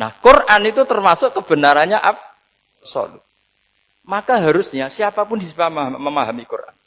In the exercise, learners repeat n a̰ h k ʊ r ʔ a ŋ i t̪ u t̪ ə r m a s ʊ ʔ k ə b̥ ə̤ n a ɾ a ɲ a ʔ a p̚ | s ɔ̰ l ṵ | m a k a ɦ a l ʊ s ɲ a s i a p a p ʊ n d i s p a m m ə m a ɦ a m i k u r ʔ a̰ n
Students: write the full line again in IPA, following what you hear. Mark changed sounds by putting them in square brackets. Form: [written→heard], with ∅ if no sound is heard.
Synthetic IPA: n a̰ h k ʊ r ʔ a [ŋ→n] i t̪ u t̪ ə r m a s ʊ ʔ k ə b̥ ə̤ n a ɾ a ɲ a ʔ a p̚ | s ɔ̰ l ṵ | m a k a ɦ a [l→ɾ] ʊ s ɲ a s i a p a p ʊ n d i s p a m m ə m a ɦ a m i k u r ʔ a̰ n